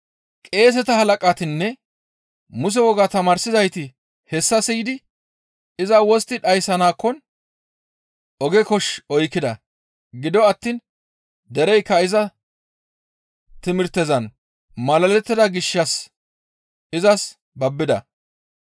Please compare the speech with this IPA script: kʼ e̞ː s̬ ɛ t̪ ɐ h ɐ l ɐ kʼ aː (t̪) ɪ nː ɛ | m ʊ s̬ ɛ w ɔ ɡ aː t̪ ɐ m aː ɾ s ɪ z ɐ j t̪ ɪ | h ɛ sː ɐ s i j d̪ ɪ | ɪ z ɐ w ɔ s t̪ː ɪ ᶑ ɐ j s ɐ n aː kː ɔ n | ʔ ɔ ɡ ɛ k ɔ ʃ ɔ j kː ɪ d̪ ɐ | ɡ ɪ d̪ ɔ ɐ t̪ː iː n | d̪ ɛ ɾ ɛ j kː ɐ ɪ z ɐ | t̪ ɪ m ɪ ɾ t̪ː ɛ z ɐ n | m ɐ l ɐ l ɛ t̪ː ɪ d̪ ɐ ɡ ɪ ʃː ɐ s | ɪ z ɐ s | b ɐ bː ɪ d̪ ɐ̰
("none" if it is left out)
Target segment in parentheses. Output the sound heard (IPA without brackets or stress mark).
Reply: t̪